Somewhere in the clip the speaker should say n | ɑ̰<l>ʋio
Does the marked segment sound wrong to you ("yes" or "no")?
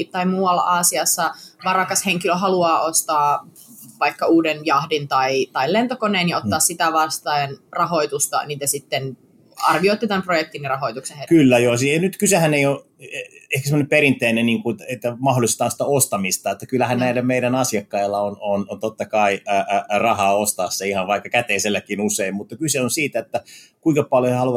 yes